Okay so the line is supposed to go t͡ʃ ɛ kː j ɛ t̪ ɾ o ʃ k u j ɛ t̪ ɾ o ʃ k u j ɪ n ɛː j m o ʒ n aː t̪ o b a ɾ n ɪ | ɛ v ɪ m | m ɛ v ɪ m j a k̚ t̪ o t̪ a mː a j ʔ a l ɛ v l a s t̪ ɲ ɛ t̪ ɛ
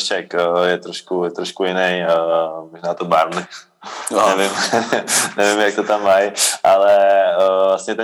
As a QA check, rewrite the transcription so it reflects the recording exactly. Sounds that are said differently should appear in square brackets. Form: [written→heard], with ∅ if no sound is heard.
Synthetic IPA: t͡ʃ ɛ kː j ɛ t̪ ɾ o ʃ k u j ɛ t̪ ɾ o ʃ k u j ɪ n [ɛː→ɛ] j m o ʒ n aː t̪ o b a ɾ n ɪ | ɛ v ɪ m | [m→n] ɛ v ɪ m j a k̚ t̪ o t̪ a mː a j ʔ a l ɛ v l a s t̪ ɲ ɛ t̪ ɛ